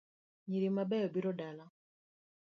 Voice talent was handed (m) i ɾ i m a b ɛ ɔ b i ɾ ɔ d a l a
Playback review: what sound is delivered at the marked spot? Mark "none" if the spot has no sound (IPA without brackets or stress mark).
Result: ɲ